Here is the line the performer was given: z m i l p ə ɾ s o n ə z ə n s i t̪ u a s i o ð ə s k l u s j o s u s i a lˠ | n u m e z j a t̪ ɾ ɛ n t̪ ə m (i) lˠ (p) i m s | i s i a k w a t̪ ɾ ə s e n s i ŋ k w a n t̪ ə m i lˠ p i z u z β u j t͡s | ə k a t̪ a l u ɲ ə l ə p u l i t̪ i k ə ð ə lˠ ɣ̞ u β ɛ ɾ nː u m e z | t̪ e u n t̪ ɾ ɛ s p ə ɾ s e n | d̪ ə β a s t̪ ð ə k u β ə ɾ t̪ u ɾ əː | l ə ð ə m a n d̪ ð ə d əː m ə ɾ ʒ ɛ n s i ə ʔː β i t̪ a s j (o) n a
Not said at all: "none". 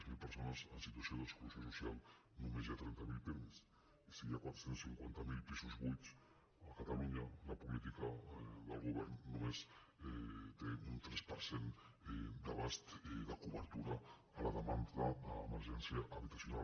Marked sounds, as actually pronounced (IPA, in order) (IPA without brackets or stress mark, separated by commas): i, p, u